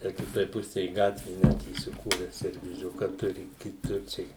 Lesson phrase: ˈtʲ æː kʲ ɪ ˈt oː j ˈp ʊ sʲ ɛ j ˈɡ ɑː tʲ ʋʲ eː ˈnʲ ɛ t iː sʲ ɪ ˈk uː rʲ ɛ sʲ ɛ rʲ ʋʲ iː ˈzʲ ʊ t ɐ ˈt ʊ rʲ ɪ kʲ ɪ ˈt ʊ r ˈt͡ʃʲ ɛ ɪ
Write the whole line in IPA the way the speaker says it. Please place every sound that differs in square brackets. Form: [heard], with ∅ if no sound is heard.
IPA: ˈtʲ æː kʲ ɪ ˈt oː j ˈp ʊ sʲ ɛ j ˈɡ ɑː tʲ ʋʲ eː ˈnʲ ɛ t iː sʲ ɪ ˈk uː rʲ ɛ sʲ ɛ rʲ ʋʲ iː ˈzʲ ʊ [k] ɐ ˈt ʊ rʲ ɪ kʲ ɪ ˈt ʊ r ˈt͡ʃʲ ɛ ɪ